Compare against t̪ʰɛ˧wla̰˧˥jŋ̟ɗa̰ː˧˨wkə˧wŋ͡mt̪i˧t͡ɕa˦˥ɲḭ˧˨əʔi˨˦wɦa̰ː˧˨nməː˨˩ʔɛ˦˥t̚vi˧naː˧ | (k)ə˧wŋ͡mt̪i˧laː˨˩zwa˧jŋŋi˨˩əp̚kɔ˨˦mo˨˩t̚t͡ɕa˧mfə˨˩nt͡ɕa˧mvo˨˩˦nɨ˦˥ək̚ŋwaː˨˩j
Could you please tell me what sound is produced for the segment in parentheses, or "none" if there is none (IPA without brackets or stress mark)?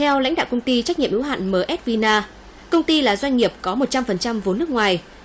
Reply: k